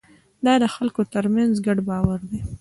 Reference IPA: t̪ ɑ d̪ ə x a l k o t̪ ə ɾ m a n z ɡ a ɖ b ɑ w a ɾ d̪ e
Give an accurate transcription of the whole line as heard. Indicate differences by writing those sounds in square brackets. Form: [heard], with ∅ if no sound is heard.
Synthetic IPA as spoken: [d̪] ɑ d̪ ə x a l k o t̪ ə ɾ m a n z ɡ a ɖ b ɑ w a ɾ d̪ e